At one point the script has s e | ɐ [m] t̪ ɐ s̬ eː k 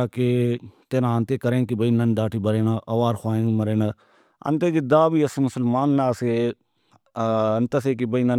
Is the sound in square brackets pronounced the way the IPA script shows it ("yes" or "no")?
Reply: no